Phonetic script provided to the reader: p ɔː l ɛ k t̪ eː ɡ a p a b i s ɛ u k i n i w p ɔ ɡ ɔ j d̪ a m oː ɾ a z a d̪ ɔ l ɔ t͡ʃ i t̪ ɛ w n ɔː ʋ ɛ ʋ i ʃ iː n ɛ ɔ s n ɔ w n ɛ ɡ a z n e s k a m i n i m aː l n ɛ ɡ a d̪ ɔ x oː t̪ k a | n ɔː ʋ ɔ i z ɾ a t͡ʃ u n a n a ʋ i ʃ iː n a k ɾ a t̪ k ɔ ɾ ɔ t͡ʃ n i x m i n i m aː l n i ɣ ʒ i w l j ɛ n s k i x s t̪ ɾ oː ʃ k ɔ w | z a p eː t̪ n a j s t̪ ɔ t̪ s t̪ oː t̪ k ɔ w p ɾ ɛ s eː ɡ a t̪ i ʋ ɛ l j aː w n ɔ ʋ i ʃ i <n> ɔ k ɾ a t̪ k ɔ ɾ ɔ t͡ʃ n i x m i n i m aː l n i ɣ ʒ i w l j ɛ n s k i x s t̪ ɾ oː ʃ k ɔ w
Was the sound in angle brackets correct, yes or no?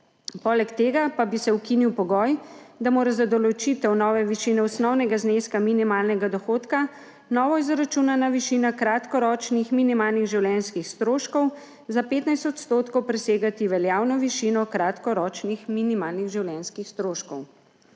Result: yes